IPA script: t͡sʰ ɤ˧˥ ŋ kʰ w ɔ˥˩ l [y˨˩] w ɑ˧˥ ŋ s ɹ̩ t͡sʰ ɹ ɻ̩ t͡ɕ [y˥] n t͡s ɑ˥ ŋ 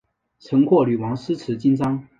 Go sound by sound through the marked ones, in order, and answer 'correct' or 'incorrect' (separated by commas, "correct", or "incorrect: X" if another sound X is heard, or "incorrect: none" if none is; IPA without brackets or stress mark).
correct, incorrect: i˥